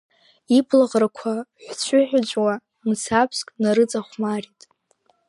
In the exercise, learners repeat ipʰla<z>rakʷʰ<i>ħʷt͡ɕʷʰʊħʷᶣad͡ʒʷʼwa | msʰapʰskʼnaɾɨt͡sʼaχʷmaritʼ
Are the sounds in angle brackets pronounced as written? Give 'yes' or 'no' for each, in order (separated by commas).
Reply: no, no